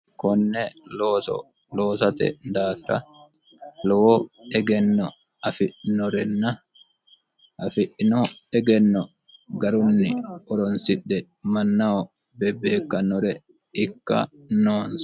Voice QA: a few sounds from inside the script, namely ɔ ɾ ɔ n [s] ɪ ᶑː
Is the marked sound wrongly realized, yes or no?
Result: no